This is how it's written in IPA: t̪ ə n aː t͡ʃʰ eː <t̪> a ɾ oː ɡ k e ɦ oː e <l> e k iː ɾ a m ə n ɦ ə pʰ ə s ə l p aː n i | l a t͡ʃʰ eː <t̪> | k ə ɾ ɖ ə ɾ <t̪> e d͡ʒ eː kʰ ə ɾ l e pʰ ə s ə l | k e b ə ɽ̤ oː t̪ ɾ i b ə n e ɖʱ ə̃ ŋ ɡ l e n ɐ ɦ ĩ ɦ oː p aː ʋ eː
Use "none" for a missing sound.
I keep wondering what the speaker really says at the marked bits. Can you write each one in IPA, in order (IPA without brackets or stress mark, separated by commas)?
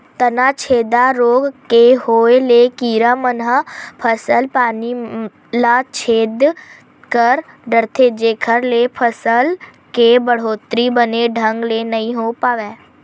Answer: d̪, l, d̪, t̪ʰ